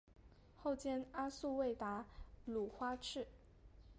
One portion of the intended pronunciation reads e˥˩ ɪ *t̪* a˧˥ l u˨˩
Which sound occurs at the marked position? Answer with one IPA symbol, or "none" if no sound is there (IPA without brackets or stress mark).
t̪